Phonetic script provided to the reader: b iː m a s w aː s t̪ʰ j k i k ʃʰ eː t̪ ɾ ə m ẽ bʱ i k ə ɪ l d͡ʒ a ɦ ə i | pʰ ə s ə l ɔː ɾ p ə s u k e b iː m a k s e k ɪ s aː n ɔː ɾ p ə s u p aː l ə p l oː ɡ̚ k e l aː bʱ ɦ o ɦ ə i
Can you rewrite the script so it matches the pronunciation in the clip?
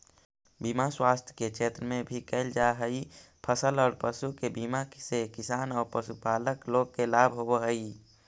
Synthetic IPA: b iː m a s w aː s t̪ʰ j k e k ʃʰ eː t̪ ɾ ə m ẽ bʱ i k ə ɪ l d͡ʒ a ɦ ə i | pʰ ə s ə l ɔː ɾ p ə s u k e b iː m a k s e k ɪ s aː n ɔː ɾ p ə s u p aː l ə k l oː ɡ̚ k e l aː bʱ ɦ o ɦ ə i

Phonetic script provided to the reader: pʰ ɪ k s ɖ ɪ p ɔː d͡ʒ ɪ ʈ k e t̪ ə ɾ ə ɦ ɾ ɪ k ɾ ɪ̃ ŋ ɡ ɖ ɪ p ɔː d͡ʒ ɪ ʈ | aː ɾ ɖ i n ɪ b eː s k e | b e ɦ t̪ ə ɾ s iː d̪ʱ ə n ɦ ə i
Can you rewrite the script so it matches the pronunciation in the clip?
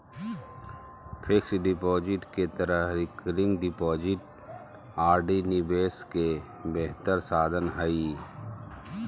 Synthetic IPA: pʰ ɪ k s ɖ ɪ p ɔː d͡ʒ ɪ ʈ k e t̪ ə ɾ ə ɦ ɾ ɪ k ɾ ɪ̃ ŋ ɡ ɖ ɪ p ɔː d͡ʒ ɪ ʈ | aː ɾ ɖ i n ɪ b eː s k e | b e ɦ t̪ ə ɾ s aː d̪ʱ ə n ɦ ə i

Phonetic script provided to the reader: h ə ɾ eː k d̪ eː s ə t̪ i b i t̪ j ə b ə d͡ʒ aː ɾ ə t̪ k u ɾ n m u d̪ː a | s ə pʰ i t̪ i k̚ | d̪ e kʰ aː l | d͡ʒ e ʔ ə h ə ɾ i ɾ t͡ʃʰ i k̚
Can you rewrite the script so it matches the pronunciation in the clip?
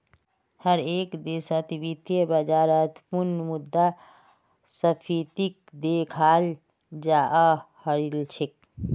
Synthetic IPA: h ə ɾ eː k d̪ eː s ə t̪ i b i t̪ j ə b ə d͡ʒ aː ɾ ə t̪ p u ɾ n m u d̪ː a | s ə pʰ i t̪ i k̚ | d̪ e kʰ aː l | d͡ʒ a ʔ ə h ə ɾ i l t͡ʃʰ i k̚

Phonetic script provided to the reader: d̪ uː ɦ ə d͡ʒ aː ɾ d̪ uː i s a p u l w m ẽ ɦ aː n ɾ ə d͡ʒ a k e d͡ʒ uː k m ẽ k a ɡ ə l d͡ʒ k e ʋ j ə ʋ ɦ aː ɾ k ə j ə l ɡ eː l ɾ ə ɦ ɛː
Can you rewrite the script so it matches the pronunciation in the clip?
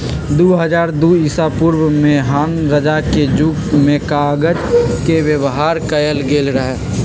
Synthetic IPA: d̪ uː ɦ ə d͡ʒ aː ɾ d̪ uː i s a p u ɾ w m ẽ ɦ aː n ɾ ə d͡ʒ a k e d͡ʒ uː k m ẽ k a ɡ ə d͡ʒ k e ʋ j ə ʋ ɦ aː ɾ k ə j ə l ɡ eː l ɾ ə ɦ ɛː

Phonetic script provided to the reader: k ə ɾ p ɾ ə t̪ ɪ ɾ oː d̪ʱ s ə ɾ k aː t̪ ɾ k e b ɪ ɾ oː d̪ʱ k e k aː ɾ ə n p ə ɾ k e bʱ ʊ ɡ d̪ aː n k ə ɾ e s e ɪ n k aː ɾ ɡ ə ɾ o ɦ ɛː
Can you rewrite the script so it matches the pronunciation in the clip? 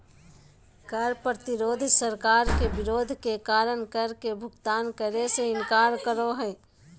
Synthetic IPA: k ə ɾ p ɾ ə t̪ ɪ ɾ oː d̪ʱ s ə ɾ k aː ɾ k e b ɪ ɾ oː d̪ʱ k e k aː ɾ ə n k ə ɾ k e bʱ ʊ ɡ t̪ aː n k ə ɾ e s e ɪ n k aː ɾ k ə ɾ o ɦ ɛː

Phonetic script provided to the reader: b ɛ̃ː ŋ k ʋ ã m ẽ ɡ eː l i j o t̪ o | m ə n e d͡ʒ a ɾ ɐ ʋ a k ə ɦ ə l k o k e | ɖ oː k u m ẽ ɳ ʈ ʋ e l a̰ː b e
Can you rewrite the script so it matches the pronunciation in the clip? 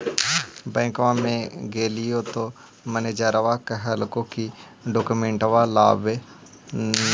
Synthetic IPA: b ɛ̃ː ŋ k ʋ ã m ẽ ɡ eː l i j o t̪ o | m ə n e d͡ʒ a ɾ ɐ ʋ a k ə ɦ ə l k o k i | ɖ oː k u m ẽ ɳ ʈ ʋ a l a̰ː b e

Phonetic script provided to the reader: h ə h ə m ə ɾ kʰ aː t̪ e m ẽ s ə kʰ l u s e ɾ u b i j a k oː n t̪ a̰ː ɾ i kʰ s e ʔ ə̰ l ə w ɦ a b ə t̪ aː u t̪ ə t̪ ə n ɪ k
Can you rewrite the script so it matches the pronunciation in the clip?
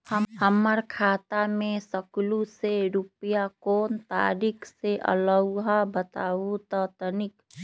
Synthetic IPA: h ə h ə m ə ɾ kʰ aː t̪ a m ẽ s ə k l u s e ɾ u p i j a k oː n t̪ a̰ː ɾ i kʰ s e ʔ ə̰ l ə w ɦ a b ə t̪ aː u t̪ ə t̪ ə n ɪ k

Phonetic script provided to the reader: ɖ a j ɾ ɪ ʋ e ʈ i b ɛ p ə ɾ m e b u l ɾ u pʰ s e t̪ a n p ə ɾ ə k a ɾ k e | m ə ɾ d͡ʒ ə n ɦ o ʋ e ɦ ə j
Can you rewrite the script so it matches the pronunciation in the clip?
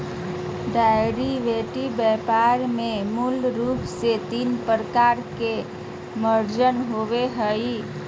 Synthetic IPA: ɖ a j ɾ i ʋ e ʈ i b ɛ p a ɾ m e m u l ɾ u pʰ s e t̪ i n p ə ɾ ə k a ɾ k e | m ə ɾ d͡ʒ ə n ɦ o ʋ e ɦ ə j

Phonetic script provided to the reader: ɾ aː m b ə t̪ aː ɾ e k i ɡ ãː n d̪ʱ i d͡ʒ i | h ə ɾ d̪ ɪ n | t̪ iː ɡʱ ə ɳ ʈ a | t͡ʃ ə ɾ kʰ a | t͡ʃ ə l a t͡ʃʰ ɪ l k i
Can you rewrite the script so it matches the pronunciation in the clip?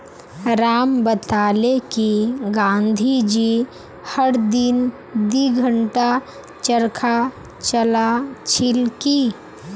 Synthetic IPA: ɾ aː m b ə t̪ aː l e k i ɡ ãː n d̪ʱ i d͡ʒ i | h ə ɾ d̪ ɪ n | d̪ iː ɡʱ ə ɳ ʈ a | t͡ʃ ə ɾ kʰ a | t͡ʃ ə l a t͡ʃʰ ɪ l k i

